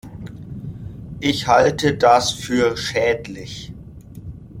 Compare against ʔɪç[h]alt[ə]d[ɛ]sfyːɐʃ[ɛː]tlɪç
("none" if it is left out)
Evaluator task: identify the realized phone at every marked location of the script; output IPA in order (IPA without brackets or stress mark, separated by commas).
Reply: h, ə, a, ɛː